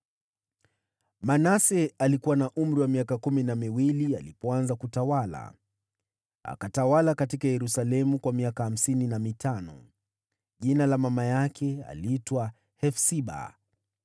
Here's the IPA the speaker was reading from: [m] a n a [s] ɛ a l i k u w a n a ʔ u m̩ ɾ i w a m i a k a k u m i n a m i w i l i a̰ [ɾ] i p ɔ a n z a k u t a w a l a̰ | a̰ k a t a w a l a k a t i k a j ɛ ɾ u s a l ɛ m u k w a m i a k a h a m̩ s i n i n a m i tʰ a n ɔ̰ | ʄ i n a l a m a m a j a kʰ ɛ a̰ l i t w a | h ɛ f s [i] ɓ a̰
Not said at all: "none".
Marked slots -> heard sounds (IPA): m, s, l, i

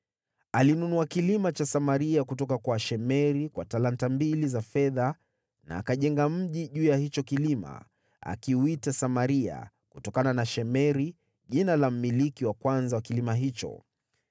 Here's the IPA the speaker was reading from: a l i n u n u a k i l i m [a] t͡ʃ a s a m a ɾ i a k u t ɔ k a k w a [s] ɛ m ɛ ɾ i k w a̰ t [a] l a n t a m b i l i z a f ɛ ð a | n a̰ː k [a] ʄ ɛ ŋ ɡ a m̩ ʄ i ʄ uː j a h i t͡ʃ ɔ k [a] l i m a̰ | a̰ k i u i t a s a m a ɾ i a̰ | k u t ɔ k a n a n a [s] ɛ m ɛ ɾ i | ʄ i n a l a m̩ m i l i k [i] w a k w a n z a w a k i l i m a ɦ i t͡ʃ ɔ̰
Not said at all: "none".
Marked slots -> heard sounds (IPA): a, ʃ, a, a, i, ʃ, i

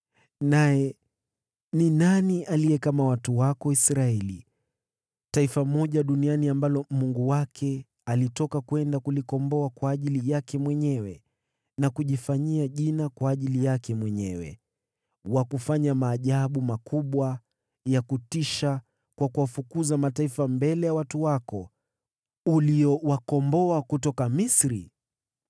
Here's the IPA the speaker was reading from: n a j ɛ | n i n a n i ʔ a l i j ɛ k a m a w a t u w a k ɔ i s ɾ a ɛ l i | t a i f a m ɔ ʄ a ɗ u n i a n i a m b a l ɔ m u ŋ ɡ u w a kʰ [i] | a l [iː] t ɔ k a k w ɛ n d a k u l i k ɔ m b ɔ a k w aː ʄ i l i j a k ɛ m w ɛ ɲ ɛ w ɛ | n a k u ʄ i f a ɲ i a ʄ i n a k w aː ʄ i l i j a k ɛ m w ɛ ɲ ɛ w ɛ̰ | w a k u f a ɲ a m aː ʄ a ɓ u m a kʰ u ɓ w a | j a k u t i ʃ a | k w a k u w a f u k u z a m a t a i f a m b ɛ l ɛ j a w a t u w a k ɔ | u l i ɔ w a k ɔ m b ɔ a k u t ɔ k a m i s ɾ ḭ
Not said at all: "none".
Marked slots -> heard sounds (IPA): ɛ, i

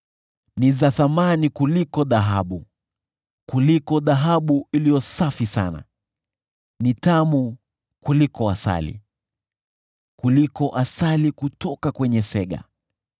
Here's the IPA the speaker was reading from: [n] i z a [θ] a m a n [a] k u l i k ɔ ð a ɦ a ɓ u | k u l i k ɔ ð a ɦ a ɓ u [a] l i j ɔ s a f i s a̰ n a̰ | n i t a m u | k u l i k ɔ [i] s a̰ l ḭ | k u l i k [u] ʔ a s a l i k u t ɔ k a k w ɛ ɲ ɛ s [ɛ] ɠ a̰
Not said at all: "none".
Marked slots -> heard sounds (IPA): n, θ, i, i, a, ɔ, ɛ

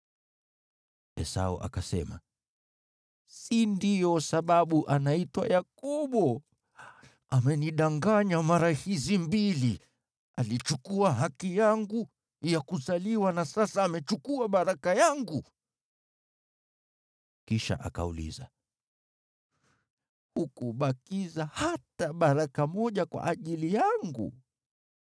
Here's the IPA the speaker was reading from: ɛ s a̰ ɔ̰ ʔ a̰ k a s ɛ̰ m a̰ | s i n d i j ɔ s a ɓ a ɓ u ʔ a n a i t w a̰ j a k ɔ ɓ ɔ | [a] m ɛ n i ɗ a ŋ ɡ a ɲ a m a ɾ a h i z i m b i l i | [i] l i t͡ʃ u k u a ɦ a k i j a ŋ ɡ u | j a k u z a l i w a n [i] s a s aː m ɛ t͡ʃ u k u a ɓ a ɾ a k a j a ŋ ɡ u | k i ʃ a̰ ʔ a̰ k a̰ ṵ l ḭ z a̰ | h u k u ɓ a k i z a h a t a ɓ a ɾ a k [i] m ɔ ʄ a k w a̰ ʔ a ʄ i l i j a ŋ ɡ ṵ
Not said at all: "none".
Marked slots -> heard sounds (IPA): a, a, a, a

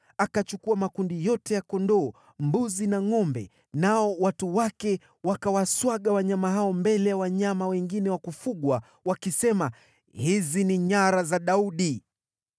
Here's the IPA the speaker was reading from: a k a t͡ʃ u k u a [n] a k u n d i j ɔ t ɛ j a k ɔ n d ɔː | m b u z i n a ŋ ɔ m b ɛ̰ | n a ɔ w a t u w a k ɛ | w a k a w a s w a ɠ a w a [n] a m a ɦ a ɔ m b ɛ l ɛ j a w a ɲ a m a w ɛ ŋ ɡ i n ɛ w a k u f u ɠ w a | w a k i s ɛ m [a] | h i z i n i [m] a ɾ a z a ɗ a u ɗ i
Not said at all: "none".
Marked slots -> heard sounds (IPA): m, ɲ, a, ɲ

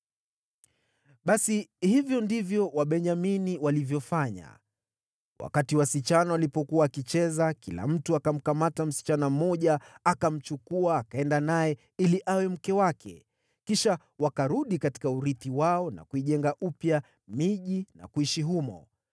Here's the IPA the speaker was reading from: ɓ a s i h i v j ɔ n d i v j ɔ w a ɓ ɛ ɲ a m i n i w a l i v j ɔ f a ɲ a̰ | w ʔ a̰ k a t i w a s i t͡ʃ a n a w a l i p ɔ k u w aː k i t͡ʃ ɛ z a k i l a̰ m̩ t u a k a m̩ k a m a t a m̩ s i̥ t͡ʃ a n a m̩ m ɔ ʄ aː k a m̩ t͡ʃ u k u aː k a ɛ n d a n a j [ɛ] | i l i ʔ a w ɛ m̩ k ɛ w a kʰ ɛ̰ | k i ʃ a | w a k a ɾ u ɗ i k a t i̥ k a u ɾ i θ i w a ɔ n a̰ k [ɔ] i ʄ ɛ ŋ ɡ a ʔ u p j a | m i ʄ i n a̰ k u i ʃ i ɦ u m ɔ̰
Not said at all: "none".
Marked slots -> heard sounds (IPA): ɛ, u

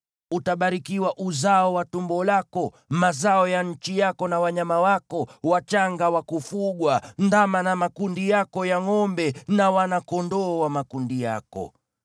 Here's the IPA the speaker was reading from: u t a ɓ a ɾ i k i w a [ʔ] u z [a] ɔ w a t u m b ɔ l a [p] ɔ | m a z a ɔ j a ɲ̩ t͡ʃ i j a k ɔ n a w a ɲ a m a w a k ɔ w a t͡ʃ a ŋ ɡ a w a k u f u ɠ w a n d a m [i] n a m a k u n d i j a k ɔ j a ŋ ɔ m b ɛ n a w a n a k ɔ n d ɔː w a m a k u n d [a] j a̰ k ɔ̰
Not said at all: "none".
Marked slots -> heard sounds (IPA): ʔ, a, k, a, i

